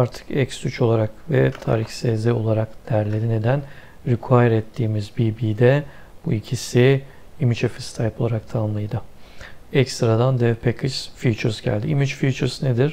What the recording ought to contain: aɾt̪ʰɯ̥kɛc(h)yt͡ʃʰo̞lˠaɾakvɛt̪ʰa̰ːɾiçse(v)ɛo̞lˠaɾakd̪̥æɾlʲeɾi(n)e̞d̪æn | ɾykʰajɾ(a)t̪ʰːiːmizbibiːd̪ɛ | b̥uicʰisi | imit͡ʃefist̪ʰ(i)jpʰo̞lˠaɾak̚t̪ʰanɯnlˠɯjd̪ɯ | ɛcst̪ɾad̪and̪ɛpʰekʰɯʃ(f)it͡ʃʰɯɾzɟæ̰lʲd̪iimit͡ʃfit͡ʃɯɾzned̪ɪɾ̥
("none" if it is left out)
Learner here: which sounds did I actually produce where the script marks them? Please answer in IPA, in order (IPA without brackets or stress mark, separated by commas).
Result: s, z, n, ɛ, a, f